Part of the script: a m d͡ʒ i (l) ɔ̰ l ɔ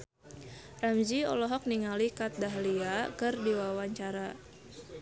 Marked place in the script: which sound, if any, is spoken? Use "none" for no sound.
none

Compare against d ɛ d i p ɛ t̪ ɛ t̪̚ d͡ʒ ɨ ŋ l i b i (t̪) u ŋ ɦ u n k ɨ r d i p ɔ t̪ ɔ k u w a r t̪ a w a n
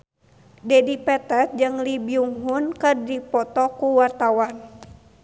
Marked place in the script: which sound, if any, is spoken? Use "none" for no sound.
none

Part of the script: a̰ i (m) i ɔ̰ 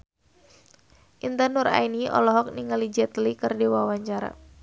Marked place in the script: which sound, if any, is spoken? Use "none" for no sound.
n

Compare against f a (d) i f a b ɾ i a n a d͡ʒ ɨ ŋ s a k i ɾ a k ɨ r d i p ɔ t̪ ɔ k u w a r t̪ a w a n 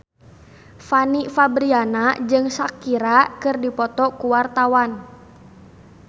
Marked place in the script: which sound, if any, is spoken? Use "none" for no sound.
n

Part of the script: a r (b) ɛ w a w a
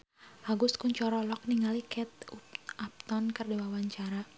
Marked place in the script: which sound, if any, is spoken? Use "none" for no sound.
d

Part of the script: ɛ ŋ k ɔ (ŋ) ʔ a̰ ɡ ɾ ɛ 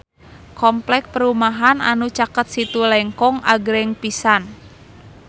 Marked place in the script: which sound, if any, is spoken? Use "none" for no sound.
ŋ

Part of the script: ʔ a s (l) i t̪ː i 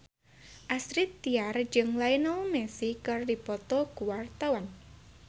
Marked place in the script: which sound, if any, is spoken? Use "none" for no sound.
ɾ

